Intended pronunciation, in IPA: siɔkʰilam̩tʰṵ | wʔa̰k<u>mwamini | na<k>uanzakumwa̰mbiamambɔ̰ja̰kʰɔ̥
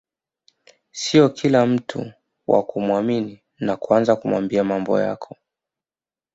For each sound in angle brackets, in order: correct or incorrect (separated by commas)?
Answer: correct, correct